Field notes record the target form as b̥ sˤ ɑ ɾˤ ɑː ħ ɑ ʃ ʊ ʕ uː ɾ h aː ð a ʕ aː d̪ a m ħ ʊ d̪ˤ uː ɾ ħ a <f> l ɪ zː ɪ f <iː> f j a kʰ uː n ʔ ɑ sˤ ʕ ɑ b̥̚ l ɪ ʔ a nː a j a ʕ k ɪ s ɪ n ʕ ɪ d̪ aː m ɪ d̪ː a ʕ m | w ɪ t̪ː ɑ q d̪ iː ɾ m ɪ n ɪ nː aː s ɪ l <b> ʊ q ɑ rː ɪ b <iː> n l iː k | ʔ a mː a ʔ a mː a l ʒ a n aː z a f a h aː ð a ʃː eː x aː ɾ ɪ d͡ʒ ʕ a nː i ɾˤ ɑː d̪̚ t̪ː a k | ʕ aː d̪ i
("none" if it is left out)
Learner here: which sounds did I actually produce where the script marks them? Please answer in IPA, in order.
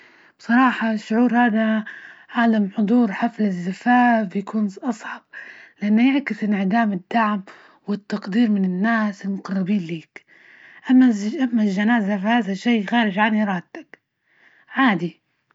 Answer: f, aː, m, iː

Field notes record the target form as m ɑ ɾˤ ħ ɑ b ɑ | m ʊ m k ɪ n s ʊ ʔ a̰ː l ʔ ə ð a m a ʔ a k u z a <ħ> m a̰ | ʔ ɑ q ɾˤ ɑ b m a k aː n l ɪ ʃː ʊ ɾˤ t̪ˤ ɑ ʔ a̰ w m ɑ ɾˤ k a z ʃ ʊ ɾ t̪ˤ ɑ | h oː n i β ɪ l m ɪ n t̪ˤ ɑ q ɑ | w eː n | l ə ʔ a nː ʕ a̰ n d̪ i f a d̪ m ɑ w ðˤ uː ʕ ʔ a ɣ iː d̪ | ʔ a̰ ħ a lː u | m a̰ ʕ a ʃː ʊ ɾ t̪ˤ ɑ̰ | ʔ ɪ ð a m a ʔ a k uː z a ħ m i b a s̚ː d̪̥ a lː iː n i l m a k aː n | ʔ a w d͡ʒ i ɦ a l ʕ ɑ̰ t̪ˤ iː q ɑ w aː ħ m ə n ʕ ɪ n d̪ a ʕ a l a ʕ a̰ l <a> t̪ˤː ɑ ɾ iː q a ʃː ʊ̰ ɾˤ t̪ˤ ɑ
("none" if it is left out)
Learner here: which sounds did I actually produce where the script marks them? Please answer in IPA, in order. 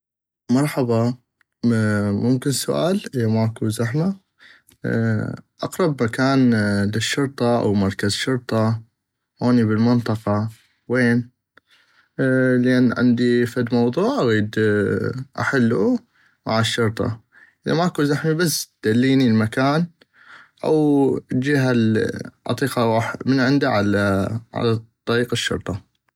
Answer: ħ, a

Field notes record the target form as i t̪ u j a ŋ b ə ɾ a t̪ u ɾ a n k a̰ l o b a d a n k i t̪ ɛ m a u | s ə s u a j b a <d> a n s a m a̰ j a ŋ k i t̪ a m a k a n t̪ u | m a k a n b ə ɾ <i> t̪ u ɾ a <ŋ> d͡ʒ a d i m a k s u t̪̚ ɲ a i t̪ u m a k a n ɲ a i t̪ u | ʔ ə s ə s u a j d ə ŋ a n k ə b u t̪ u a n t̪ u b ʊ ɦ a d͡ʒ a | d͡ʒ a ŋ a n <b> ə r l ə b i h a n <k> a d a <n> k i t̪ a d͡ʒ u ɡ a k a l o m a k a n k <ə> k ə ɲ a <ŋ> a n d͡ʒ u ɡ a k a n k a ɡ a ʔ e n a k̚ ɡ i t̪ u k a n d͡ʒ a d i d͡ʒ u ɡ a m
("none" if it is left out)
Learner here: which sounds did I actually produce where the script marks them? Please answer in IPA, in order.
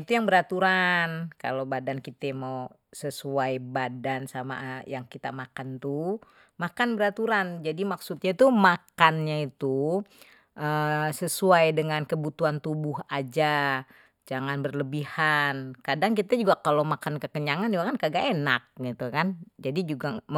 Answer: d, a, n, b, k, ŋ, ə, ŋ

